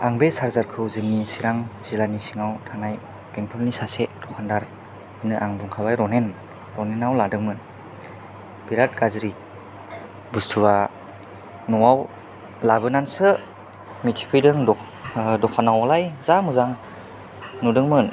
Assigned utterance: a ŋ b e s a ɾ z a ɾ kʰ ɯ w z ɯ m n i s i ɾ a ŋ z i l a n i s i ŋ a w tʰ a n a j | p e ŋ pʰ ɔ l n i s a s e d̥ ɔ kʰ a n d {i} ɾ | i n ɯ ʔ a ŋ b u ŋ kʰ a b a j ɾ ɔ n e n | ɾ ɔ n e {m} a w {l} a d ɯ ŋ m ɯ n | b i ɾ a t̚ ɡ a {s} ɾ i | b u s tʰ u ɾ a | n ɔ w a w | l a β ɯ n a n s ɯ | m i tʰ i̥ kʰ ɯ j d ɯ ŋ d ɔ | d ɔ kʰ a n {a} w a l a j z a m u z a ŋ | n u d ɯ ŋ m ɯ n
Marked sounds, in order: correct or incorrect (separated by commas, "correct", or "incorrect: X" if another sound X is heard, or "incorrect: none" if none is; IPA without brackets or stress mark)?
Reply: incorrect: a, incorrect: n, correct, incorrect: z, correct